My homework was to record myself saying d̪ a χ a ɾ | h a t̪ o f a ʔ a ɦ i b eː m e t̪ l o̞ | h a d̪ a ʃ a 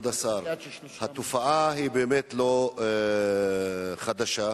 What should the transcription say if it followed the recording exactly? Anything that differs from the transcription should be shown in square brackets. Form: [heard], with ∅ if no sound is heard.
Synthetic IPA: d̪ a [s] a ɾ | h a t̪ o f a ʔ a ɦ i b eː m e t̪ l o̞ | [χ] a d̪ a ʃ a